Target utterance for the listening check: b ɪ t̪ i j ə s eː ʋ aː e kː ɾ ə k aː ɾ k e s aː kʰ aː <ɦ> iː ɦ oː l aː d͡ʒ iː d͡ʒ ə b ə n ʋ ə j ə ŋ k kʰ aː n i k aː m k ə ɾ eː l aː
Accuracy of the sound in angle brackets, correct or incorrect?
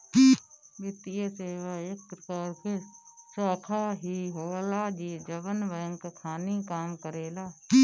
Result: correct